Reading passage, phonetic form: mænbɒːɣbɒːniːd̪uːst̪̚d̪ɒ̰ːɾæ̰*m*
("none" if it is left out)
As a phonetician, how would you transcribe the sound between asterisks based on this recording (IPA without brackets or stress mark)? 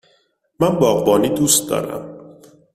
m